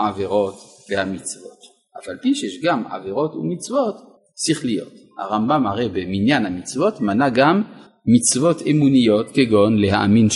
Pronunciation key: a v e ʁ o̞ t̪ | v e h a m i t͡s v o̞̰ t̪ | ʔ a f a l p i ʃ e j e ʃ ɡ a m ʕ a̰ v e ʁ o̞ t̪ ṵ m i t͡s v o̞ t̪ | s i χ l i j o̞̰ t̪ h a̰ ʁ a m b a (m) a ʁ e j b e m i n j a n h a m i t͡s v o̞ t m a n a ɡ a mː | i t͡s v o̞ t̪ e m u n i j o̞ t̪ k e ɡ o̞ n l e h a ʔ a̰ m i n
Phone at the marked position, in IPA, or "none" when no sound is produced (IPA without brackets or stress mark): m